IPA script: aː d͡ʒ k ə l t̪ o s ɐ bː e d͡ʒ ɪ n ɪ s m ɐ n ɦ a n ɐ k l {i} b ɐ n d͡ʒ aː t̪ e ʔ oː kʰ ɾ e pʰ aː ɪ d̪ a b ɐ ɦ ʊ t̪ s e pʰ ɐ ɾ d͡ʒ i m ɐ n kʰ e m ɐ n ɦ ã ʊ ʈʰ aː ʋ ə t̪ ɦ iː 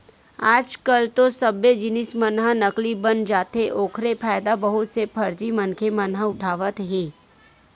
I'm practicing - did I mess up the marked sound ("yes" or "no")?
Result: no